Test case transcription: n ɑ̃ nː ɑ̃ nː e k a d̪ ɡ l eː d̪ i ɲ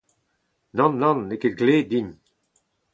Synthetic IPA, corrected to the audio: n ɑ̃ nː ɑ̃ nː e k e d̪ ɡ l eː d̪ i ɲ